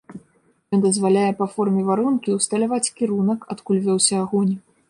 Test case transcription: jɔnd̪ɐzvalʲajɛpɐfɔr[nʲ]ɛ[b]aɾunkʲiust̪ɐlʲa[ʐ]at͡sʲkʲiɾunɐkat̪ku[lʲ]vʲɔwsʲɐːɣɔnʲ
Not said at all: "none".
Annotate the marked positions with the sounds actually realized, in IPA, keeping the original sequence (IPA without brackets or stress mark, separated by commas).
mʲ, v, v, lʲ